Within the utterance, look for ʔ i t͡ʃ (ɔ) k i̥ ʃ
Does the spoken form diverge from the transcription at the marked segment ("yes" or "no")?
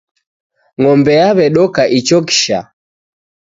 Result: no